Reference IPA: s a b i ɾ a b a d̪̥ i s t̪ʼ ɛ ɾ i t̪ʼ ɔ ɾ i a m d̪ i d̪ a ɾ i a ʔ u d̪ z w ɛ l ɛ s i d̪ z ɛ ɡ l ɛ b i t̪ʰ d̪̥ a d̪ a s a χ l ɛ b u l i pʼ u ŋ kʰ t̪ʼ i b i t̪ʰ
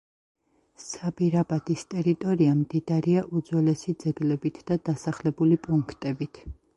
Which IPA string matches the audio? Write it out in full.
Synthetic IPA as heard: s a b i ɾ a b a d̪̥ i s t̪ʼ ɛ ɾ i t̪ʼ ɔ ɾ i a m d̪ i d̪ a ɾ i a ʔ u d̪ z w ɛ l ɛ s i d̪ z ɛ ɡ l ɛ b i t̪ʰ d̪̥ a d̪ a s a χ l ɛ b u l i pʼ u ŋ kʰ t̪ʼ ɛ b i t̪ʰ

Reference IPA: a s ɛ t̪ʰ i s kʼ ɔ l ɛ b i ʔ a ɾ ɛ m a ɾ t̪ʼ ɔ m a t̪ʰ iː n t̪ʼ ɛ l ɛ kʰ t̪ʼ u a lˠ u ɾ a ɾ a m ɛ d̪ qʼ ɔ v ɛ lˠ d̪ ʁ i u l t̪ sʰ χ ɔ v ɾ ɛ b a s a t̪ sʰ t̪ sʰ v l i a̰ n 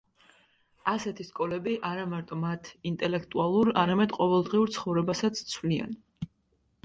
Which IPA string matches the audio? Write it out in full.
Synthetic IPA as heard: a s ɛ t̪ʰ i s kʼ ɔ l ɛ b i ʔ a ɾ a m a ɾ t̪ʼ ɔ m a t̪ʰ i n t̪ʼ ɛ l ɛ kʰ t̪ʼ u a lˠ u ɾ a ɾ a m ɛ d̪ qʼ ɔ v ɛ lˠ d̪ ʁ i u ɾ t̪ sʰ χ ɔ v ɾ ɛ b a s a t̪ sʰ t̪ sʰ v l i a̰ n

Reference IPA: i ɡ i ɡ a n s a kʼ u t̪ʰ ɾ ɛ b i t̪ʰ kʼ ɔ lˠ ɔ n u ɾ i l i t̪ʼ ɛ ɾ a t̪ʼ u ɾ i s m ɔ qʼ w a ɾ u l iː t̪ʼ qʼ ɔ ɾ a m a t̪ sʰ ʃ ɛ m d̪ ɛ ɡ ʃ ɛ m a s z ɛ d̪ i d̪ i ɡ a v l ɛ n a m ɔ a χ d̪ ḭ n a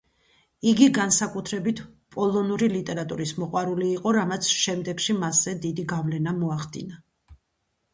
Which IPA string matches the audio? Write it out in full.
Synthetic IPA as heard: i ɡ i ɡ a n s a kʼ u t̪ʰ ɾ ɛ b i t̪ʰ pʼ ɔ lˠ ɔ n u ɾ i l i t̪ʼ ɛ ɾ a t̪ʼ u ɾ i s m ɔ qʼ w a ɾ u l iː qʼ ɔ ɾ a m a t̪ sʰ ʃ ɛ m d̪ ɛ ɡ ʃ i m a s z ɛ d̪ i d̪ i ɡ a v l ɛ n a m ɔ a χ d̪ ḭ n a

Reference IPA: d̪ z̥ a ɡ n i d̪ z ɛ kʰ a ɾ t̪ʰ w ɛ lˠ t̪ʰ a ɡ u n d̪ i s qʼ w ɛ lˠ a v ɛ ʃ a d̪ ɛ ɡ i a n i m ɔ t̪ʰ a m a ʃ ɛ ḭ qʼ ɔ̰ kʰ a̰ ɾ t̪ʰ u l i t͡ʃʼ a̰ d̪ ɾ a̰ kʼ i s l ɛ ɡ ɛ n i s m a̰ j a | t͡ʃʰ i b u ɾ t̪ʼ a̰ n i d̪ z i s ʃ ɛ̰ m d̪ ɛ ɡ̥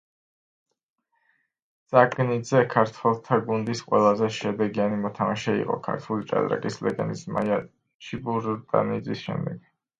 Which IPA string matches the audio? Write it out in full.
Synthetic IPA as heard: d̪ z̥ a ɡ n i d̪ z ɛ kʰ a ɾ t̪ʰ w ɛ lˠ t̪ʰ a ɡ u n d̪ i s qʼ w ɛ lˠ a z ɛ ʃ ɛ d̪ ɛ ɡ i a n i m ɔ t̪ʰ a m a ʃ ɛ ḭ qʼ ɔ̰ kʰ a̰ ɾ t̪ʰ u l i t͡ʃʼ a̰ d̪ ɾ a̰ kʼ i s l ɛ ɡ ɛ n i s m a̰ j a | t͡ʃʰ i b u ɾ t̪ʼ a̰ n i d̪ z i s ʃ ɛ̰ m d̪ ɛ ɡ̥

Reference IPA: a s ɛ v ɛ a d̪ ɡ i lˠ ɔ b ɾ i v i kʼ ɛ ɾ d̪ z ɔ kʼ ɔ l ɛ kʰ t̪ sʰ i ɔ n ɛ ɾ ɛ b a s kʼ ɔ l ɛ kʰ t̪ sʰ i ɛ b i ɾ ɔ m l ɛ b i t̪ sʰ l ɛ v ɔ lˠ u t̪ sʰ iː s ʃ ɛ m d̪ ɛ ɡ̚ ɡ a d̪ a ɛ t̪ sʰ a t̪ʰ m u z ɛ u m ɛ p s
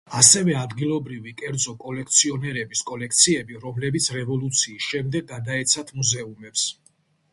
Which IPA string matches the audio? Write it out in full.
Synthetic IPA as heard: a s ɛ v ɛ a d̪ ɡ i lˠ ɔ b ɾ i v i kʼ ɛ ɾ d̪ z ɔ kʼ ɔ l ɛ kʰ t̪ sʰ i ɔ n ɛ ɾ ɛ b i s kʼ ɔ l ɛ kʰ t̪ sʰ i ɛ b i ɾ ɔ m l ɛ b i t̪ sʰ ɾ ɛ v ɔ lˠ u t̪ sʰ iː s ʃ ɛ m d̪ ɛ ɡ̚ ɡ a d̪ a ɛ t̪ sʰ a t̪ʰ m u z ɛ u m ɛ p s

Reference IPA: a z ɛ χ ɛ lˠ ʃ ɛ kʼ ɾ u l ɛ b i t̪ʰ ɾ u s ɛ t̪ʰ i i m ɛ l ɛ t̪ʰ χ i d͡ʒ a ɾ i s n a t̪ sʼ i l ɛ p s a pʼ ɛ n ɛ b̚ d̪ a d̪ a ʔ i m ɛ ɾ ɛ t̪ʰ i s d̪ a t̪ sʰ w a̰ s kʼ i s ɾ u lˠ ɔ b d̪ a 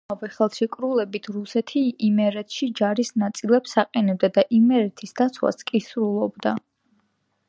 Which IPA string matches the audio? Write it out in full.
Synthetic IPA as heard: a v ɛ χ ɛ lˠ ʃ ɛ kʼ ɾ u l ɛ b i t̪ʰ ɾ u s ɛ t̪ʰ i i m ɛ ɾ ɛ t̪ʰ ʃ i d͡ʒ a ɾ i s n a t̪ sʼ i l ɛ p s a qʼ ɛ n ɛ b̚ d̪ a d̪ a ʔ i m ɛ ɾ ɛ t̪ʰ i s d̪ a t̪ sʰ w a̰ s kʼ i s ɾ u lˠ ɔ b d̪ a

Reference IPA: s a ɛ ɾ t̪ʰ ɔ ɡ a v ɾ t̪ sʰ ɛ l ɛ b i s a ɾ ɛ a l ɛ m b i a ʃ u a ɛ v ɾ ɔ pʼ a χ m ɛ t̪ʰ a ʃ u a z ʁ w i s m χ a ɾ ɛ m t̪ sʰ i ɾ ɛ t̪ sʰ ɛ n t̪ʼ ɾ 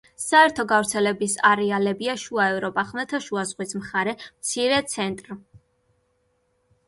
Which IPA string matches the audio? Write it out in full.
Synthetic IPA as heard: s a ɛ ɾ t̪ʰ ɔ ɡ a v ɾ t̪ sʰ ɛ l ɛ b i s a ɾ ɛ a l ɛ b i a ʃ u a ɛ v ɾ ɔ pʼ a χ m ɛ t̪ʰ a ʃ u a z ʁ w i s m χ a ɾ ɛ m t̪ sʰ i ɾ ɛ t̪ sʰ ɛ n t̪ʼ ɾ

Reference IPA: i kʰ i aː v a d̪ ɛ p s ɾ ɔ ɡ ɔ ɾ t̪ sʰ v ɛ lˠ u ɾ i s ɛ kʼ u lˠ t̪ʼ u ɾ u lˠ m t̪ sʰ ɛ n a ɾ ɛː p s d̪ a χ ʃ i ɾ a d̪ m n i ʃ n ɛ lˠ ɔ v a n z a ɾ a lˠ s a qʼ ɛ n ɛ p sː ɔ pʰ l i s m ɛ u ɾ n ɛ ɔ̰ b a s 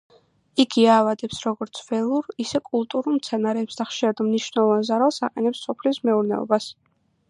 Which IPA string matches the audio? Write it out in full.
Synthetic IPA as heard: i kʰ i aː v a d̪ ɛ p s ɾ ɔ ɡ ɔ ɾ t̪ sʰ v ɛ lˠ u ɾ i s ɛ kʼ u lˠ t̪ʼ u ɾ u lˠ m t̪ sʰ ɛ n a ɾ ɛː p s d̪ a χ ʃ i ɾ a d̪ m n i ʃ n ɛ lˠ ɔ v a n z a ɾ a lˠ s a qʼ ɛ n ɛ p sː ɔ pʰ l i s m ɛ u ɾ n ɛ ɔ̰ b a s

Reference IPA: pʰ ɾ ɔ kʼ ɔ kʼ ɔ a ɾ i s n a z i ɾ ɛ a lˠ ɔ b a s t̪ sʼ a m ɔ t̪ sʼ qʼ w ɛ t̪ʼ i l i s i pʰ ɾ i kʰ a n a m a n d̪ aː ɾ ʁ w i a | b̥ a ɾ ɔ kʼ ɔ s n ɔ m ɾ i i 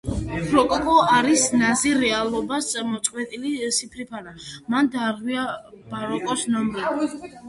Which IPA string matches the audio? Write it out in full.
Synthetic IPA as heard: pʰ ɾ ɔ kʼ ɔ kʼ ɔ a ɾ i s n a z i ɾ ɛ a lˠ ɔ b a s t̪ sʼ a m ɔ t̪ sʼ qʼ w ɛ t̪ʼ i l i s i pʰ ɾ i pʰ a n a m a n d̪ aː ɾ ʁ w i a | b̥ a ɾ ɔ kʼ ɔ s n ɔ m ɾ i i

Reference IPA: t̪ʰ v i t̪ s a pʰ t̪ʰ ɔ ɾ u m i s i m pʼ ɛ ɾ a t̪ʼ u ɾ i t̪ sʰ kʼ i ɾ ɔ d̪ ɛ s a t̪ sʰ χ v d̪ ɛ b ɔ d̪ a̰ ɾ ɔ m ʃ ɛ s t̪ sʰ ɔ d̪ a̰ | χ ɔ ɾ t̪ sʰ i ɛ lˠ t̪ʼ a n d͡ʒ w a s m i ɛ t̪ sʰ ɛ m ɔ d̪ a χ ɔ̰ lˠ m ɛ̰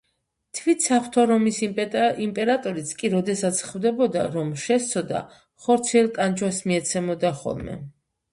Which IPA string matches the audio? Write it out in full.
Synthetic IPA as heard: t̪ʰ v i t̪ s a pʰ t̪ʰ ɔ ɾ ɔ m i s i m pʼ ɛ ɾ a t̪ʼ ɔ ɾ i t̪ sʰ kʼ i ɾ ɔ d̪ ɛ s a t̪ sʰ χ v d̪ ɛ b ɔ d̪ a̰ ɾ ɔ m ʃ ɛ s t̪ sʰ ɔ d̪ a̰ | χ ɔ ɾ t̪ sʰ i ɛ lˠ t̪ʼ a n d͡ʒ w a s m i ɛ t̪ sʰ ɛ m ɔ d̪ a χ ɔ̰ lˠ m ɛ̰

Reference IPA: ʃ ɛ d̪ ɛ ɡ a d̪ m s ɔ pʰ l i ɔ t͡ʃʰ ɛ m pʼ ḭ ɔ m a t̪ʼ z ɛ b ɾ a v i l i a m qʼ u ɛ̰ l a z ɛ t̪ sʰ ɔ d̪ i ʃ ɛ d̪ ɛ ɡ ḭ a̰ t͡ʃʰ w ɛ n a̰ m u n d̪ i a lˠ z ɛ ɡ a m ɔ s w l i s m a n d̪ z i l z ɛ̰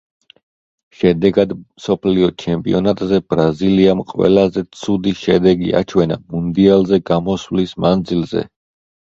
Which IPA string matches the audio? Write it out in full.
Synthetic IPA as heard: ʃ ɛ d̪ ɛ ɡ a d̪ m s ɔ pʰ l i ɔ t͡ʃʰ ɛ m pʼ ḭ ɔ n a t̪ʼ z ɛ b ɾ a z i l i a m qʼ w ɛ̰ l a z ɛ t̪ sʰ u d̪ i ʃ ɛ d̪ ɛ ɡ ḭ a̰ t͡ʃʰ w ɛ n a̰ m u n d̪ i a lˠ z ɛ ɡ a m ɔ s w l i s m a n d̪ z i l z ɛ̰

